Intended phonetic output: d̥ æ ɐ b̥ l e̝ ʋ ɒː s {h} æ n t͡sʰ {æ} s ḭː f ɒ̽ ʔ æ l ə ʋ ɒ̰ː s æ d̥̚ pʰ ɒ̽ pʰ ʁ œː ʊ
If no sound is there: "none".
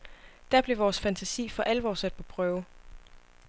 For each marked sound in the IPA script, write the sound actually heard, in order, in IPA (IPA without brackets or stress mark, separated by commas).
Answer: f, æ